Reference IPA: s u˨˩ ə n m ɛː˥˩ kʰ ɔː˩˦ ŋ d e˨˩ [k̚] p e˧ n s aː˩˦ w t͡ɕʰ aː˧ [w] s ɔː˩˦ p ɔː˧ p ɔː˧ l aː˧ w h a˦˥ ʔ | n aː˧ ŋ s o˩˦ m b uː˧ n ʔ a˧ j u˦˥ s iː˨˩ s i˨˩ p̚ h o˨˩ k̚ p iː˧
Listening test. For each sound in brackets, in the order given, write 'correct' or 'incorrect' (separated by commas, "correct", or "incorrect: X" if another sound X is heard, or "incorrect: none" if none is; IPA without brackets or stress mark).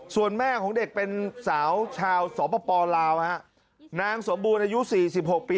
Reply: correct, correct